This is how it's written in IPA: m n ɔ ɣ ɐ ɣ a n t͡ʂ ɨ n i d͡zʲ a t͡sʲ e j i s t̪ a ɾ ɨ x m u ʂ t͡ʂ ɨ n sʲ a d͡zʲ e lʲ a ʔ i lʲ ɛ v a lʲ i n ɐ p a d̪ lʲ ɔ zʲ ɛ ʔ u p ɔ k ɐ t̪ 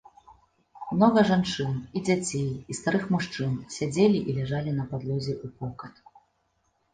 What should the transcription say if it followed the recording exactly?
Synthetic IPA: m n ɔ ɣ ɐ ʐ a n t͡ʂ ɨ n i d͡zʲ a t͡sʲ e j i s t̪ a ɾ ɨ x m u ʂ t͡ʂ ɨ n sʲ a d͡zʲ e lʲ i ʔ i lʲ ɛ ʐ a lʲ i n ɐ p a d̪ lʲ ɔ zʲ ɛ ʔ u p ɔ k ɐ t̪